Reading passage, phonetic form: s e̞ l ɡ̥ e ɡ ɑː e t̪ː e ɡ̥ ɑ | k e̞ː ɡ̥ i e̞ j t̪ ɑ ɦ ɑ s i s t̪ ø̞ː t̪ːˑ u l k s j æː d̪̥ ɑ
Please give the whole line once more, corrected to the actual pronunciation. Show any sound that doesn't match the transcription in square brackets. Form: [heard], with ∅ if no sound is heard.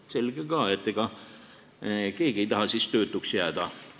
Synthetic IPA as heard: s e̞ l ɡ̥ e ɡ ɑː e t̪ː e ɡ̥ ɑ | k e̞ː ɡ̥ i e̞ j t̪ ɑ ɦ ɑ s i s t̪ ø̞ː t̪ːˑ u [∅] k s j æː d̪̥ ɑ